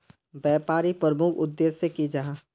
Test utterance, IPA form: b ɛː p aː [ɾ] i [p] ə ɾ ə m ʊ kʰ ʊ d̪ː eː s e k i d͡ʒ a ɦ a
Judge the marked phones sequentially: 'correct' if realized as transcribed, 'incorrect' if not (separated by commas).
correct, correct